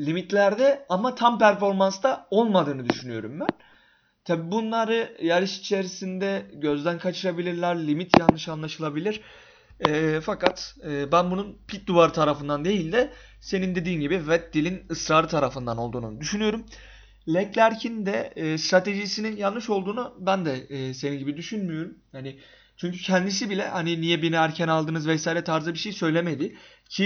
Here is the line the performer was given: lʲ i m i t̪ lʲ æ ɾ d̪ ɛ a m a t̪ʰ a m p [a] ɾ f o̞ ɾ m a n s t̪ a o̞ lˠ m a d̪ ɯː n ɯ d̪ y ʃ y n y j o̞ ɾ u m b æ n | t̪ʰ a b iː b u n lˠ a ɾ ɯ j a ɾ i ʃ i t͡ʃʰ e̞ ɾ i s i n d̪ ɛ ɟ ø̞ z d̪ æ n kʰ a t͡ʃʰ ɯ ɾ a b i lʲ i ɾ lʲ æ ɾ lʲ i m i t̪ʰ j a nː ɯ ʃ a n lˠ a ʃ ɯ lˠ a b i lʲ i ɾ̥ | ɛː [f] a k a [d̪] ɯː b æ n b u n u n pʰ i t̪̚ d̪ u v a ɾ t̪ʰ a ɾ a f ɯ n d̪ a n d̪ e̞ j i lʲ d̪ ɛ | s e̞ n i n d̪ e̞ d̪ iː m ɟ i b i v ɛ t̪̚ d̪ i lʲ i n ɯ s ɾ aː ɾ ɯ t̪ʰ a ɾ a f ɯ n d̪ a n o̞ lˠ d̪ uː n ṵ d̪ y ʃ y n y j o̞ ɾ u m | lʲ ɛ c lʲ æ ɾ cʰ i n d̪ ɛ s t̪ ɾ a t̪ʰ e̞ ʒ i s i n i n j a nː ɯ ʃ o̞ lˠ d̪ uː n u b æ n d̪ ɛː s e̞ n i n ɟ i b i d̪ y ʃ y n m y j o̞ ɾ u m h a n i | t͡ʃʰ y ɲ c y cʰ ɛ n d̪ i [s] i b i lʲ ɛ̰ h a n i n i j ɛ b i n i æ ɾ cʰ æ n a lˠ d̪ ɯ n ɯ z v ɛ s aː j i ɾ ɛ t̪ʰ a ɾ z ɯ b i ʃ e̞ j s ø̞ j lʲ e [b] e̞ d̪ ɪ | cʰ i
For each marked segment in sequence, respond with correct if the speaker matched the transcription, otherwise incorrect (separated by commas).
incorrect, correct, incorrect, correct, incorrect